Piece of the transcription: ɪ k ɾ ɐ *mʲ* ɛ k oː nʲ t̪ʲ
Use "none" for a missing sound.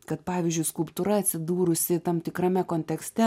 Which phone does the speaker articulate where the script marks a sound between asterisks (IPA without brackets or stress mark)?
mʲ